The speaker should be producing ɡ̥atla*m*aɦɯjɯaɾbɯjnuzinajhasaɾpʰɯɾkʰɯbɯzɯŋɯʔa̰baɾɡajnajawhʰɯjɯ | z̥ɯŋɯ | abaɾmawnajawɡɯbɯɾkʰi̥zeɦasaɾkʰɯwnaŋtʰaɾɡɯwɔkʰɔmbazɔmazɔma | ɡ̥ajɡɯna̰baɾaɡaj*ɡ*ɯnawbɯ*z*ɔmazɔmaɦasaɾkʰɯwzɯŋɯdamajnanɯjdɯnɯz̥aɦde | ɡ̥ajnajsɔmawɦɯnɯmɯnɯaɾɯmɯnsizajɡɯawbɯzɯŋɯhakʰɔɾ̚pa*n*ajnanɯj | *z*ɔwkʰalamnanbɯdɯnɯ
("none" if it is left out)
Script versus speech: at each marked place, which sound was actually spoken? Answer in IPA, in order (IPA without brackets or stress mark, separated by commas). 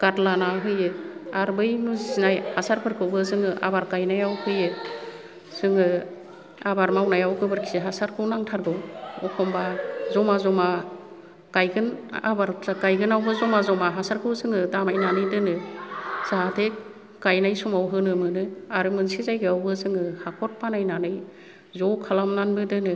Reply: n, ɡ, z, n, z